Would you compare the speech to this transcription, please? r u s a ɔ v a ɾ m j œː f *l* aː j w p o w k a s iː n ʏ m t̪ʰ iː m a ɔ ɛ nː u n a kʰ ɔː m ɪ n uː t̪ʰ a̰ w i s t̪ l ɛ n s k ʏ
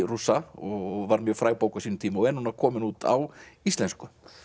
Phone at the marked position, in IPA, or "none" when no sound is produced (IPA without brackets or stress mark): ɾ